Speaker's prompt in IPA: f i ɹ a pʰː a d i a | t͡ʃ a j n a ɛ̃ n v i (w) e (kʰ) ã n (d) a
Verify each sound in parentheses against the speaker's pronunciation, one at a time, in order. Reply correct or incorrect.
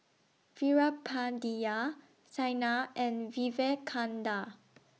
incorrect: v, correct, correct

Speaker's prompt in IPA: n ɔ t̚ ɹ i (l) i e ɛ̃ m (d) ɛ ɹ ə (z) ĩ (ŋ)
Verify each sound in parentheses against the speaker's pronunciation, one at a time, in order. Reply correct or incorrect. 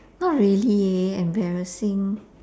correct, incorrect: b, incorrect: s, correct

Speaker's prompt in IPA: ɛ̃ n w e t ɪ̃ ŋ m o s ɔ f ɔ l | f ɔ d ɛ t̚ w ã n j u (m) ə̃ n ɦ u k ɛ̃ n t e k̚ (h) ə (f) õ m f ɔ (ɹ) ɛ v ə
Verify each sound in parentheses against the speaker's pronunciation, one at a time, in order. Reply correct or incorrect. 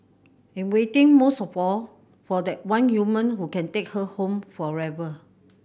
correct, correct, incorrect: h, correct

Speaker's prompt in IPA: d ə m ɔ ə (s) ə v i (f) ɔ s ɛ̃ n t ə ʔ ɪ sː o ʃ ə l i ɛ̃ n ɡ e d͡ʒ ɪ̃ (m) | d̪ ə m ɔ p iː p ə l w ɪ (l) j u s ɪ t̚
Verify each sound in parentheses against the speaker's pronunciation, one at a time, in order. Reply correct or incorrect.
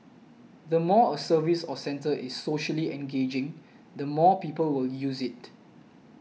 correct, incorrect: s, incorrect: ŋ, correct

